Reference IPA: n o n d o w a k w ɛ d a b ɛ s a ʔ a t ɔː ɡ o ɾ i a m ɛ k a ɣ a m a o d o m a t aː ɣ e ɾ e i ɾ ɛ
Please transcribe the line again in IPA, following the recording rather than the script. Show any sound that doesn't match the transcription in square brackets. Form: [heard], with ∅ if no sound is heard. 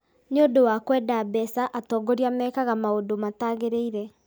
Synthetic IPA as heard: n o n d o w a k w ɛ d a b ɛ s a ʔ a t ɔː ɡ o ɾ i a m ɛ k a ɣ a m a o d o m a t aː ɣ e ɾ e i ɾ ɛ